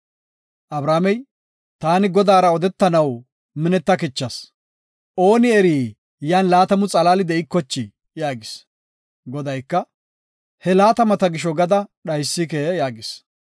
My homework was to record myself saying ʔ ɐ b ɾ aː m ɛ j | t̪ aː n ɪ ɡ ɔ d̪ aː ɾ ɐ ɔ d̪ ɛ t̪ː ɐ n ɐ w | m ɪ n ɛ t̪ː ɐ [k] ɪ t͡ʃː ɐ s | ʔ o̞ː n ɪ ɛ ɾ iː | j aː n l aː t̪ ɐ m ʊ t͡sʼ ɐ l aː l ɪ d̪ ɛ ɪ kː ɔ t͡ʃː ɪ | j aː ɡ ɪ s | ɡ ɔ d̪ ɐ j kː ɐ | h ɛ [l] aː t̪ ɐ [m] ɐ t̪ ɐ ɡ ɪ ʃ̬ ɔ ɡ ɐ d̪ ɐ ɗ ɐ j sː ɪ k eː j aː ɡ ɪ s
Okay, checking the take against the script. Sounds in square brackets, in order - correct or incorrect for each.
correct, correct, correct

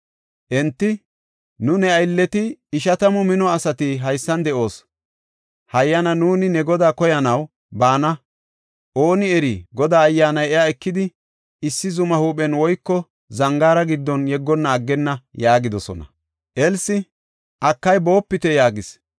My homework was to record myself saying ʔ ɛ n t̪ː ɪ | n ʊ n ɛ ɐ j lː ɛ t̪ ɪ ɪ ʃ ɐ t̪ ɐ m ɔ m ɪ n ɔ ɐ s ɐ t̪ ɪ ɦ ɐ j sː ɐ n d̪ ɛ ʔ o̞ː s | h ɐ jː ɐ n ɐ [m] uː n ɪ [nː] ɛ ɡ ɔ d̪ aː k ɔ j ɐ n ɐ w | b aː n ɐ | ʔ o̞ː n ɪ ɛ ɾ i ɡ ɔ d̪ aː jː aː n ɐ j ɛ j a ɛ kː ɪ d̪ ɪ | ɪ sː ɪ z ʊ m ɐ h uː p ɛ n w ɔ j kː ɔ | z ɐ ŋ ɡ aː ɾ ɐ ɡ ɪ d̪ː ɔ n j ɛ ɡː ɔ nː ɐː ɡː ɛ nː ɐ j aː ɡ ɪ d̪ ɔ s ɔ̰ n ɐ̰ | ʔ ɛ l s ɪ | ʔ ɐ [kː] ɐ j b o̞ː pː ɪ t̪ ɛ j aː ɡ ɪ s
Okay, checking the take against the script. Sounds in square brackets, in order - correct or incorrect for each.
incorrect, incorrect, correct

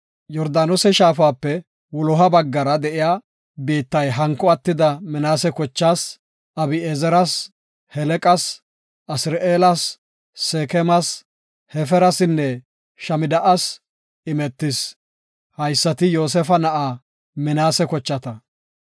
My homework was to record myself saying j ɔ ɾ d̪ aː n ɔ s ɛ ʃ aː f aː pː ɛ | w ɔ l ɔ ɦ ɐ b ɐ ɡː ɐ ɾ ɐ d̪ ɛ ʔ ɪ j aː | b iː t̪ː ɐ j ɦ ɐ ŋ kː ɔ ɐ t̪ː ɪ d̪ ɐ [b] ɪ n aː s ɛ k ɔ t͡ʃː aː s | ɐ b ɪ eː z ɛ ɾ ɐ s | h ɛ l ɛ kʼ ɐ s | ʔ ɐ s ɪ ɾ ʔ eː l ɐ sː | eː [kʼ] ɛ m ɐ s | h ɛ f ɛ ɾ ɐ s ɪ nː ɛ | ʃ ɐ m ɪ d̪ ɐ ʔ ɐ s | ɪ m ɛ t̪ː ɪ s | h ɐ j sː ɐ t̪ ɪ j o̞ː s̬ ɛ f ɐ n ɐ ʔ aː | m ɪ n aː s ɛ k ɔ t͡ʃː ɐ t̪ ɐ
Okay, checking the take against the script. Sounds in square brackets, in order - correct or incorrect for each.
incorrect, incorrect

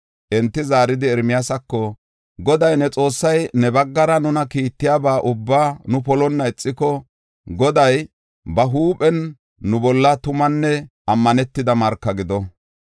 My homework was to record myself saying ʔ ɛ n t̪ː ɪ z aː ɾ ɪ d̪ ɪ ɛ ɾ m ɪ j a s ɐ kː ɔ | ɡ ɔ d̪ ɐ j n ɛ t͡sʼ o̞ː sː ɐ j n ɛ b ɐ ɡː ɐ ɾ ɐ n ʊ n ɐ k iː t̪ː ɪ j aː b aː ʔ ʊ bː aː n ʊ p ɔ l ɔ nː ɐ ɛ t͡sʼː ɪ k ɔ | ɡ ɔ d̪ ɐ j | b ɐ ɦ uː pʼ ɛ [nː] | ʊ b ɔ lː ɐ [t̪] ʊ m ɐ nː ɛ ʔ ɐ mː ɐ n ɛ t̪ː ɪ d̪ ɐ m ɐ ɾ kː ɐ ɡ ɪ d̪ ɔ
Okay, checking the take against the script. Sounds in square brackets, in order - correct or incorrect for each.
correct, correct

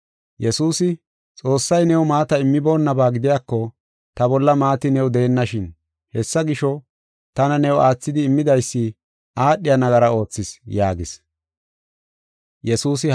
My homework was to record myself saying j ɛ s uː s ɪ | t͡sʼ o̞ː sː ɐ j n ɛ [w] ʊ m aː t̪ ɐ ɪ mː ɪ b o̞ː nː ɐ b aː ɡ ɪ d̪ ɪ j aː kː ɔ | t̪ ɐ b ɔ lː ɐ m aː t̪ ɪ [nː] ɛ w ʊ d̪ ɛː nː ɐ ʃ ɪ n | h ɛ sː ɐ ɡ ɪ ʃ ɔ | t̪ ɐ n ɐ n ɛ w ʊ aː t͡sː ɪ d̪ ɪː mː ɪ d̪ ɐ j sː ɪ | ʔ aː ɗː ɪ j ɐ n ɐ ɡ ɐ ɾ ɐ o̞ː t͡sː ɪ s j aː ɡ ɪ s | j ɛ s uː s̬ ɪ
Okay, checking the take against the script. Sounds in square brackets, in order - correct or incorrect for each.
correct, incorrect

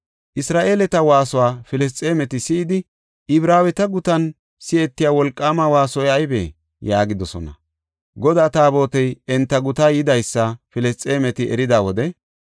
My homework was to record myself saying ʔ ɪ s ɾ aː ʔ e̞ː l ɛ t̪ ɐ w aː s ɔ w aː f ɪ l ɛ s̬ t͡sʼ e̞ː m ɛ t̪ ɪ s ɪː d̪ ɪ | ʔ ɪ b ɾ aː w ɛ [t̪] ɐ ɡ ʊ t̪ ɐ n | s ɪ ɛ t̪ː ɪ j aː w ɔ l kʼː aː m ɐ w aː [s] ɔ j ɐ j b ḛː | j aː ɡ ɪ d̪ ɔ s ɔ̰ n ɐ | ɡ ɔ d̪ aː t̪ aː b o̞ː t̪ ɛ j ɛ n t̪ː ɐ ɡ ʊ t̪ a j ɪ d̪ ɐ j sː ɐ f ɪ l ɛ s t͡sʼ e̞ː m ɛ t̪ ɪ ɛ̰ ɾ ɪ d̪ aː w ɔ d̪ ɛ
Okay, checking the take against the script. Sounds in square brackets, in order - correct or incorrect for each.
correct, correct

